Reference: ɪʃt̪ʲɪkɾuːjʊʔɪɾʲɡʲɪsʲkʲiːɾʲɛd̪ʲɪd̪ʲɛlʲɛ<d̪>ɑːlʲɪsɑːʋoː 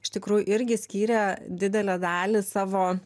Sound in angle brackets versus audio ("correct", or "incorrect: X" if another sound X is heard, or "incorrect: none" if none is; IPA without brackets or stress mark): correct